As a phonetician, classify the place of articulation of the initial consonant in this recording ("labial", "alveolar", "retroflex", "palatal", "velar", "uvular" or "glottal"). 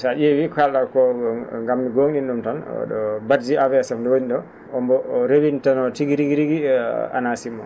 alveolar